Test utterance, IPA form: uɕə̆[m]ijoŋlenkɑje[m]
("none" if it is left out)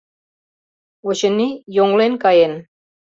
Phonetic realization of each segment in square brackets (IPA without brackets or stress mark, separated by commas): n, n